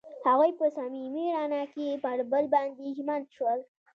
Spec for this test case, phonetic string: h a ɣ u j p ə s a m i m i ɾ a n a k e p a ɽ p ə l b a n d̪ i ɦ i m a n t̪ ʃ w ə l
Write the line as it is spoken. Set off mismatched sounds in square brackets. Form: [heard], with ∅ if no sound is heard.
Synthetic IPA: h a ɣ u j p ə s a m i m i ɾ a n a k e p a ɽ [b] ə l b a n d̪ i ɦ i m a n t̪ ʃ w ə l